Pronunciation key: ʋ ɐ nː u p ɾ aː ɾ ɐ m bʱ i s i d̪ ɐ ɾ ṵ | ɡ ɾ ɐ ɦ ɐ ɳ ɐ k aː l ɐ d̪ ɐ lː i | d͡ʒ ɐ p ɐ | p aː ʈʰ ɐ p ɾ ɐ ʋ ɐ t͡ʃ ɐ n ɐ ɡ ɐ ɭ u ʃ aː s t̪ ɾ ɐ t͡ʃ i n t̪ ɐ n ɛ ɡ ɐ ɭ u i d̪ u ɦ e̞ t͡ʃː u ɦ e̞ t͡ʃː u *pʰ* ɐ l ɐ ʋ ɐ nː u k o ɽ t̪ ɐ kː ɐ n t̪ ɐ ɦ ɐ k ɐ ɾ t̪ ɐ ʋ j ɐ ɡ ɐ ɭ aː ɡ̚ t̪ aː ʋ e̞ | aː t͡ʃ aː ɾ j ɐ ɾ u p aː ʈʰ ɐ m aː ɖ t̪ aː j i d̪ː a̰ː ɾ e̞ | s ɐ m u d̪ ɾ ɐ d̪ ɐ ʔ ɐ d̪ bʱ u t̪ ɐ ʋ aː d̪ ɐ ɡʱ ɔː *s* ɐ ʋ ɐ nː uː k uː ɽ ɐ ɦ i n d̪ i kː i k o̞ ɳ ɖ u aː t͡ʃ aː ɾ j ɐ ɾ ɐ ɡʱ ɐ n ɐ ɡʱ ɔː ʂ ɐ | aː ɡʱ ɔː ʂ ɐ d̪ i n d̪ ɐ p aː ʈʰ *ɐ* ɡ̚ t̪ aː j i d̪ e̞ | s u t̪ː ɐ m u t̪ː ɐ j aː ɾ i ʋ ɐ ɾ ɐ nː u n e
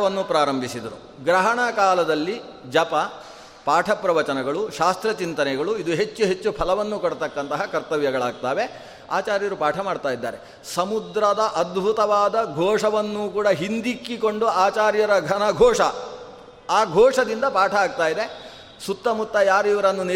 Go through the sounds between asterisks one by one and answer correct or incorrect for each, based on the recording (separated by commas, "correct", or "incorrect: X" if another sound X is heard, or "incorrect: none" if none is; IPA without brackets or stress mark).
correct, incorrect: ʂ, incorrect: ɐː